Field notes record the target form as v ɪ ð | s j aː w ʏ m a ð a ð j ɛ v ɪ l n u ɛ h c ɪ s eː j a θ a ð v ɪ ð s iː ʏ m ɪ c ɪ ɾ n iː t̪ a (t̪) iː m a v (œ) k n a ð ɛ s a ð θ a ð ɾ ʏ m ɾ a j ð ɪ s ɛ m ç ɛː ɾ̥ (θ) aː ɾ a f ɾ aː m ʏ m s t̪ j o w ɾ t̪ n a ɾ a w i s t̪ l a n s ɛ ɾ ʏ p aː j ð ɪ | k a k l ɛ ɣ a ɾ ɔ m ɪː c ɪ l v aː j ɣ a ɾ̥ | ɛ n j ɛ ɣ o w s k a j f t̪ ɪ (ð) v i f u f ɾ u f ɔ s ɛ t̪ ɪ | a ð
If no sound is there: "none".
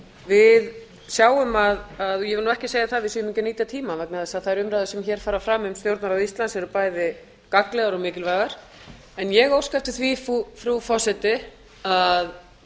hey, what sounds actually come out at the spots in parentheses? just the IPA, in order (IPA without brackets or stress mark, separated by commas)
t̪ʰ, ɛ, f, θ